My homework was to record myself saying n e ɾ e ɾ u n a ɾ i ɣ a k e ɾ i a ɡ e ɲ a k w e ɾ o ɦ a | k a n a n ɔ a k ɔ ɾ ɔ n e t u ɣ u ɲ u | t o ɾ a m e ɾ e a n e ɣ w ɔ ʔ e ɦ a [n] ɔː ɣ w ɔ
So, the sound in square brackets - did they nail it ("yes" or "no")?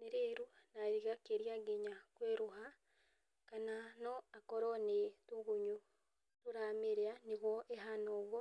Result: yes